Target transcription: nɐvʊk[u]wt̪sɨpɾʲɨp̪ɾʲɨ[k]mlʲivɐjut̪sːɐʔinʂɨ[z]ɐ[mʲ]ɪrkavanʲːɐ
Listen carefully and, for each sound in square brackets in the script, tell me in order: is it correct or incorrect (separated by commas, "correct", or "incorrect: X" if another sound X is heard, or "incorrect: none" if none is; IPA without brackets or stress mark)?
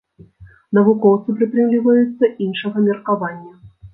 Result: incorrect: ɔ, incorrect: none, incorrect: ɣ, correct